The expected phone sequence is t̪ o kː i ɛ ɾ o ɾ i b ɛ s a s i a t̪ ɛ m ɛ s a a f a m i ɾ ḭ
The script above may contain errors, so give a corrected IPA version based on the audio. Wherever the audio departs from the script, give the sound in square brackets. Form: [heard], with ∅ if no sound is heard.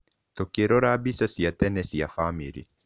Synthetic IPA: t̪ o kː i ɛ ɾ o ɾ [a] b [i] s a s i a t̪ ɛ [n] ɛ s [i] a f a m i ɾ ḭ